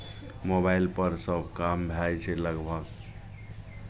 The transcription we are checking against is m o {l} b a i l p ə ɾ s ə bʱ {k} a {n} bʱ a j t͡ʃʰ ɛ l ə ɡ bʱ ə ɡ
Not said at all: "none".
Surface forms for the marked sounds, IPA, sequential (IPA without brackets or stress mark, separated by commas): none, k, m